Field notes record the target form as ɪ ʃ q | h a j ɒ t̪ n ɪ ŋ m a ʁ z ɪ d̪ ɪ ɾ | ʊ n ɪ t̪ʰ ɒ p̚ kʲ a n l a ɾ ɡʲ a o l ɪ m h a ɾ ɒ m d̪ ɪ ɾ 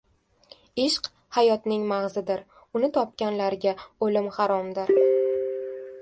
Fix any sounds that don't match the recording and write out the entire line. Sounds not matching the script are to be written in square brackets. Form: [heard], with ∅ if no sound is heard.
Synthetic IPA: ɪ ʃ q | h a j ɒ t̪ n ɪ ŋ m a ʁ z ɪ d̪ ɪ ɾ | ʊ n ɪ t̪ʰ ɒ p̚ kʲ a n l a ɾ ɡʲ a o l ɪ m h a ɾ ɒ m d̪ ɪ ɾ